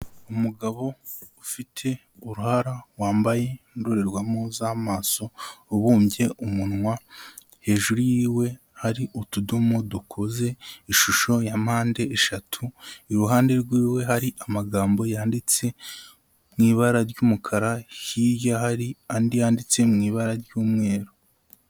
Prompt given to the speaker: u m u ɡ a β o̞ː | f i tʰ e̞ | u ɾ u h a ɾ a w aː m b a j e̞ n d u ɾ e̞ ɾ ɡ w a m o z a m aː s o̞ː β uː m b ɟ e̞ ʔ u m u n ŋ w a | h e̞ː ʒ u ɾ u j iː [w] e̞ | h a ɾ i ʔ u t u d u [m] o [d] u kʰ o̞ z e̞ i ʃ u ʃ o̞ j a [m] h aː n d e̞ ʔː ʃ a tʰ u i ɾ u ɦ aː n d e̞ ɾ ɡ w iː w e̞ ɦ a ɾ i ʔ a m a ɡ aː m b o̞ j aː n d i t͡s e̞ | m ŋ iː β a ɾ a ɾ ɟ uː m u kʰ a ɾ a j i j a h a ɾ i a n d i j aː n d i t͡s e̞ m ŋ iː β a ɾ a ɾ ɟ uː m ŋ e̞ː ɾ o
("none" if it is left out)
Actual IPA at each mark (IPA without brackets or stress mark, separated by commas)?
w, m, d, m